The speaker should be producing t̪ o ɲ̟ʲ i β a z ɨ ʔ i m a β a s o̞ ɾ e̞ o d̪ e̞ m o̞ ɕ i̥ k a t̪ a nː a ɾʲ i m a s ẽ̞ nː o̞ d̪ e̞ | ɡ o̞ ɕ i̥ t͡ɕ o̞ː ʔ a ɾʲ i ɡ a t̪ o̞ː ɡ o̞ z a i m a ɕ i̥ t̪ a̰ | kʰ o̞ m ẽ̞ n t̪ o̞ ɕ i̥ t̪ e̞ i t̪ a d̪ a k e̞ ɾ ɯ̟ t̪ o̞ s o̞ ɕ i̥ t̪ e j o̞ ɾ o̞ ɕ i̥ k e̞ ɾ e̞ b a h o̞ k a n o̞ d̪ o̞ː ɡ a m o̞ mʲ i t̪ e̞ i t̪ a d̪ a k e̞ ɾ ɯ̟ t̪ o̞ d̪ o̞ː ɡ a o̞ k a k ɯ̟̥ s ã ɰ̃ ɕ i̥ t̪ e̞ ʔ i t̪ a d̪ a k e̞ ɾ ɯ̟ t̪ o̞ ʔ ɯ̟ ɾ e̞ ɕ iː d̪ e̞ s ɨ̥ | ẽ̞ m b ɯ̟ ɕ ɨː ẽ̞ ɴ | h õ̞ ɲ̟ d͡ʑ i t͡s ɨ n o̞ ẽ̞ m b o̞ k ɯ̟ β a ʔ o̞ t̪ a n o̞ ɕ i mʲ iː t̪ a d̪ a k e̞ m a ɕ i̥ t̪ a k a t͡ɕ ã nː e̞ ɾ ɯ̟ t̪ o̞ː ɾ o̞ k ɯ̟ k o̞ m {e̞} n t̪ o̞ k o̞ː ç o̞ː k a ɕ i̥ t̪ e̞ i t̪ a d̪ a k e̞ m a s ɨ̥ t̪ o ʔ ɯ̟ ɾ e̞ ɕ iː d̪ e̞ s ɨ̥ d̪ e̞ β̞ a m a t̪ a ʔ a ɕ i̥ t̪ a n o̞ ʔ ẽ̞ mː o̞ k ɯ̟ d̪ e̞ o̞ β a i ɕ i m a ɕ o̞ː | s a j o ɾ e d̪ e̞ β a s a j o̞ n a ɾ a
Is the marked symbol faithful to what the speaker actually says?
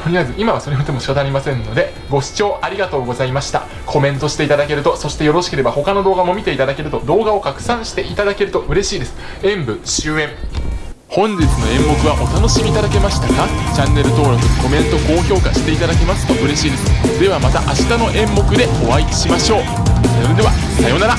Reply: no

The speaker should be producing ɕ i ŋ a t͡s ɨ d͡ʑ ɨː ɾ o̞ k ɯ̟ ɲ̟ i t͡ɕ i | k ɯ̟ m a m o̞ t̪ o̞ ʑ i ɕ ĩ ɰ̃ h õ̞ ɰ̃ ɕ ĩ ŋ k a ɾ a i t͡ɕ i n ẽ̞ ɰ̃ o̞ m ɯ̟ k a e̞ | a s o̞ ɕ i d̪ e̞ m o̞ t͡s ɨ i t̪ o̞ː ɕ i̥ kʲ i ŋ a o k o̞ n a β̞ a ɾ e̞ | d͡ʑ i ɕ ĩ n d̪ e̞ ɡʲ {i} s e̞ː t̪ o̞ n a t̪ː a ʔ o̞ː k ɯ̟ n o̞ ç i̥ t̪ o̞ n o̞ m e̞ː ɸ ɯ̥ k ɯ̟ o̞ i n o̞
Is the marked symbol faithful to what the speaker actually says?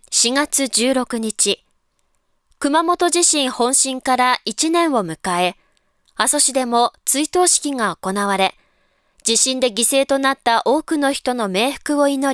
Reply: yes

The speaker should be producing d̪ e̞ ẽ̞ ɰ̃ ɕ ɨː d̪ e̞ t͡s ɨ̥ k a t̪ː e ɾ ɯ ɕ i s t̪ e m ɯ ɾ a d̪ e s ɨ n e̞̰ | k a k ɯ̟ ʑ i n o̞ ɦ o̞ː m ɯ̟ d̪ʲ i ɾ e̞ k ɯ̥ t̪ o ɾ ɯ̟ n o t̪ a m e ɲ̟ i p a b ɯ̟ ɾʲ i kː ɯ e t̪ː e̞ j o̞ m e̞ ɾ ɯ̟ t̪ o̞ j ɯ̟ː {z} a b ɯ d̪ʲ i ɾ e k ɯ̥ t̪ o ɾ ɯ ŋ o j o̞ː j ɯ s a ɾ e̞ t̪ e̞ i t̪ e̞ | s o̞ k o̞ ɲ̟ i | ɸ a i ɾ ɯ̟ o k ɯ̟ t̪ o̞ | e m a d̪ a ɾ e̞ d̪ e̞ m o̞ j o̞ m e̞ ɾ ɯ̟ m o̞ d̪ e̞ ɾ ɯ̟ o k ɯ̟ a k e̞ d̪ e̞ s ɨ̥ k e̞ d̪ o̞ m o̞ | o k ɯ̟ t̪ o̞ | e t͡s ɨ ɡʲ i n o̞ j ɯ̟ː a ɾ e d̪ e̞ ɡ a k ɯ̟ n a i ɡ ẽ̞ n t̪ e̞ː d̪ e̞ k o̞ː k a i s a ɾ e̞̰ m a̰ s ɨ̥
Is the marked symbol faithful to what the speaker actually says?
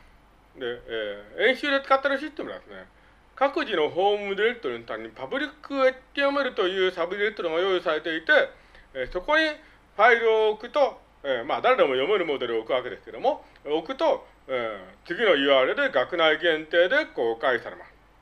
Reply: no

